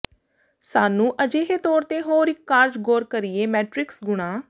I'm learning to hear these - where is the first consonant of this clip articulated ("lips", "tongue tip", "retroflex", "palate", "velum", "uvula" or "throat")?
tongue tip